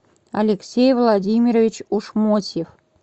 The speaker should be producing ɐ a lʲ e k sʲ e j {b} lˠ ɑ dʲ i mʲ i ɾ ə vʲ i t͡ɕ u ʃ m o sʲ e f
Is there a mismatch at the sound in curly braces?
yes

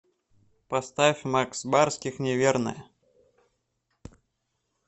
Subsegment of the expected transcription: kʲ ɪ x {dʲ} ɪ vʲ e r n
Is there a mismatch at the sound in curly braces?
yes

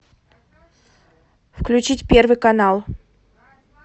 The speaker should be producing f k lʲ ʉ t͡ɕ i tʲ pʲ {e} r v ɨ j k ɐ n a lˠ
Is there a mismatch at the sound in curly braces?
no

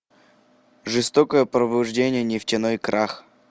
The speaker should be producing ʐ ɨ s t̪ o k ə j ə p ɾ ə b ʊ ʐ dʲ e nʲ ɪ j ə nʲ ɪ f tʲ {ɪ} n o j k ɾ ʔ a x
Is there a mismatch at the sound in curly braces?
no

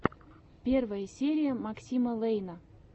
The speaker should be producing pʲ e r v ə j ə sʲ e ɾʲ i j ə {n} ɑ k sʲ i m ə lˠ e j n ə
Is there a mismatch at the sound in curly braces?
yes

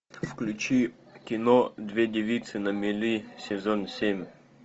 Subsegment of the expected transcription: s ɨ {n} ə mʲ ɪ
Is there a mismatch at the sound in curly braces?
no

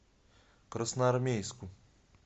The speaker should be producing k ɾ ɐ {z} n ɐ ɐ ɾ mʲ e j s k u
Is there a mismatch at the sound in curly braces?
yes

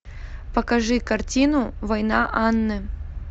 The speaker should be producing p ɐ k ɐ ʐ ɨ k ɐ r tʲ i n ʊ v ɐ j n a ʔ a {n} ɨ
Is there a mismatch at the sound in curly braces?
yes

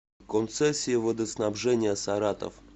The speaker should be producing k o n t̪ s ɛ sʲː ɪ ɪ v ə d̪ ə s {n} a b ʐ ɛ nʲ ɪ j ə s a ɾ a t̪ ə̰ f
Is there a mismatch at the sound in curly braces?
no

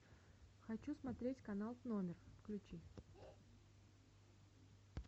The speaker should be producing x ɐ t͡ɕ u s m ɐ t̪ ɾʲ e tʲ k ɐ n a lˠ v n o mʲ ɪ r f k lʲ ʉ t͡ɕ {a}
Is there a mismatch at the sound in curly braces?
yes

